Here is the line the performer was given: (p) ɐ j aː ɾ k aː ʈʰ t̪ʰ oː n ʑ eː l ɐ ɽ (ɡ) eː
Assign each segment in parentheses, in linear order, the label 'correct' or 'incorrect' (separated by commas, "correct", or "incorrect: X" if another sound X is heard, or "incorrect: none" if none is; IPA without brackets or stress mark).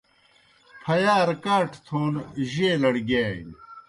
incorrect: pʰ, correct